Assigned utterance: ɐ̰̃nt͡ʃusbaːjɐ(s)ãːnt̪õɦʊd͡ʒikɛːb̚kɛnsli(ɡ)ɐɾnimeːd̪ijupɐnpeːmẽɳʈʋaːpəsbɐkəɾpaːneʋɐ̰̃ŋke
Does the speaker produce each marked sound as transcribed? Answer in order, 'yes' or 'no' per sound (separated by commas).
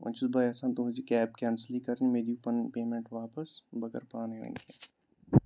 yes, no